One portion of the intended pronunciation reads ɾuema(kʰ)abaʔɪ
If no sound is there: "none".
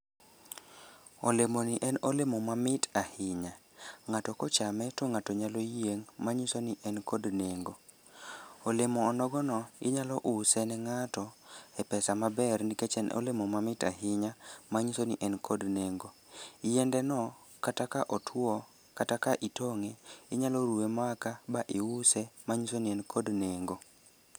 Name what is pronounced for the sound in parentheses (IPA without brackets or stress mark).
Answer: k